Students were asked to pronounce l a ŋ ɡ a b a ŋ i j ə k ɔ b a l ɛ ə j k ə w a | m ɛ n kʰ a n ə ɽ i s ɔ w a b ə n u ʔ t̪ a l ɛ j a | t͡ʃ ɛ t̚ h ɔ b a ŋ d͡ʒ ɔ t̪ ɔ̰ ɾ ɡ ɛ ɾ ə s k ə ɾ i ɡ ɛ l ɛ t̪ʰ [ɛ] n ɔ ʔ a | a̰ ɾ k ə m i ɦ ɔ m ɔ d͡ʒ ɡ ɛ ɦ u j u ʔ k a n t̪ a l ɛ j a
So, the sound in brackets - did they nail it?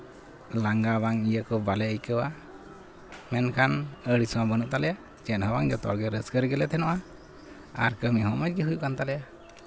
yes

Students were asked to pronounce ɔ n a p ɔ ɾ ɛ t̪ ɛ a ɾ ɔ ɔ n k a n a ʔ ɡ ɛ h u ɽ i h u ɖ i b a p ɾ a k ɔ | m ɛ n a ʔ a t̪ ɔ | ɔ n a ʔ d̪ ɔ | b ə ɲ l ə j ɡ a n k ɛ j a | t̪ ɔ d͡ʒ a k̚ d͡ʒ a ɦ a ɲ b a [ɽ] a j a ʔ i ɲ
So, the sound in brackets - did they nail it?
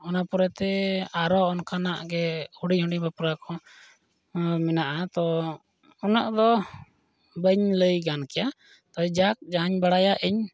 yes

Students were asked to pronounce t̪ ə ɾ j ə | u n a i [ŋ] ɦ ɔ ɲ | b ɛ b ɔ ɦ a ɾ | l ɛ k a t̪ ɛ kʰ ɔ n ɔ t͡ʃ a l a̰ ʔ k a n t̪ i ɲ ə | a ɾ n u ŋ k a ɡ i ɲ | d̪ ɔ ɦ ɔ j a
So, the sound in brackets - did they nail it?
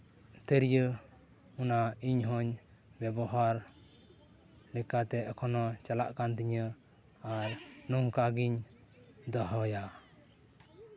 no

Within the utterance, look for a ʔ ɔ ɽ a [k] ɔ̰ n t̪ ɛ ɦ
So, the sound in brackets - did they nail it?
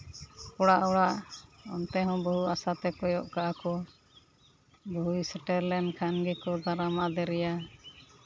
no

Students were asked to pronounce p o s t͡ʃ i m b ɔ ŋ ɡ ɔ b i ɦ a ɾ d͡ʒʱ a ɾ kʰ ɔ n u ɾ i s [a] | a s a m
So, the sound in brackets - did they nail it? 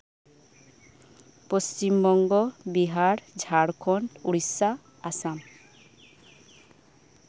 yes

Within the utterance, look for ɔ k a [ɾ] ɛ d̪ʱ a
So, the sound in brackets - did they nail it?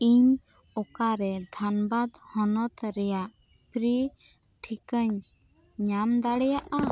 yes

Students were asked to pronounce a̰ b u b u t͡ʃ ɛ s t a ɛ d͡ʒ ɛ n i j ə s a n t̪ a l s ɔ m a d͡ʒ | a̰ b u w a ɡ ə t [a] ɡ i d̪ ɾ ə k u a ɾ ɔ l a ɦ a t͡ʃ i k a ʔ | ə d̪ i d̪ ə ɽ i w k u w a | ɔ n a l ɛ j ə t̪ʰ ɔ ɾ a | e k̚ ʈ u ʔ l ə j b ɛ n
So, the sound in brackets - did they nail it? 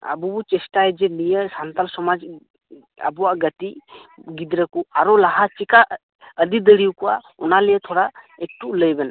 no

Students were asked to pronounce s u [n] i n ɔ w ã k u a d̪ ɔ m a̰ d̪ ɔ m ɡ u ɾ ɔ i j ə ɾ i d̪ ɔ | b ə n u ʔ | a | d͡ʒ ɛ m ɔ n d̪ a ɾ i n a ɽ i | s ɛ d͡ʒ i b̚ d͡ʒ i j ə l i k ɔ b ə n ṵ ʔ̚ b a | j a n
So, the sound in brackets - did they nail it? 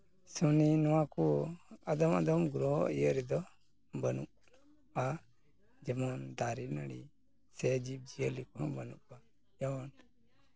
yes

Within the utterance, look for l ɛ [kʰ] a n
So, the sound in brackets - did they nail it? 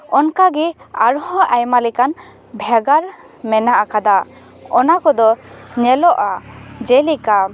no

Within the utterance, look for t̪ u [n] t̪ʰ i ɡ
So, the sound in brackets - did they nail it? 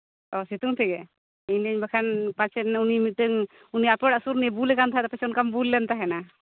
no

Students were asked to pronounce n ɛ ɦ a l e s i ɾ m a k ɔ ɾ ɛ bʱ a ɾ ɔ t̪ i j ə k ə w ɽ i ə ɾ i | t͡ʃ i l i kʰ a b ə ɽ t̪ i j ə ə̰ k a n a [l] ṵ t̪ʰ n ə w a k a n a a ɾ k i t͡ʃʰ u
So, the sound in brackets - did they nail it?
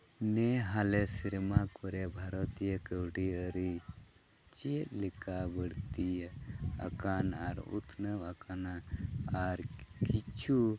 no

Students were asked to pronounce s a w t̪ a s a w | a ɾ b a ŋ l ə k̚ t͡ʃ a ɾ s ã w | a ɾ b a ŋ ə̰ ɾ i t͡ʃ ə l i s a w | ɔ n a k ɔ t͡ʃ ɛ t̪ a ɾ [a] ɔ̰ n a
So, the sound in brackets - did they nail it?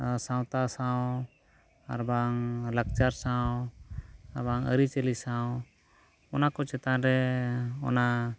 no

